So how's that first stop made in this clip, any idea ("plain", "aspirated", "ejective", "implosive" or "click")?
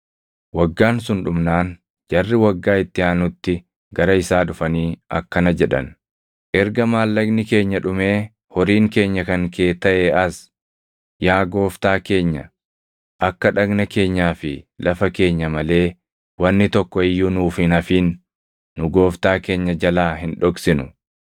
plain